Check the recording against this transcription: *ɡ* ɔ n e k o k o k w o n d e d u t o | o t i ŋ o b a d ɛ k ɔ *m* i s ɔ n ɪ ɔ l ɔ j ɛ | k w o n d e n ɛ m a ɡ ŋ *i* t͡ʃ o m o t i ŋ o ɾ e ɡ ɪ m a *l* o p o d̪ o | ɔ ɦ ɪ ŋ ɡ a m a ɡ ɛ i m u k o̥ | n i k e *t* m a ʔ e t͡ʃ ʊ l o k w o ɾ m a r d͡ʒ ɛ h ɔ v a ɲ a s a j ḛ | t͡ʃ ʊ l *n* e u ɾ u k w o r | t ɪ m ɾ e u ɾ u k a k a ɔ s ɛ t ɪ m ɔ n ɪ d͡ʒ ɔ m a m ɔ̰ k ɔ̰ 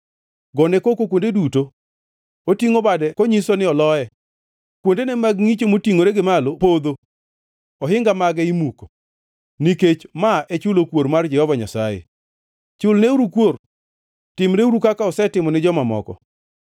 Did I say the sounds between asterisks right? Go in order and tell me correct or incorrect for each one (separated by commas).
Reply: correct, incorrect, correct, correct, incorrect, correct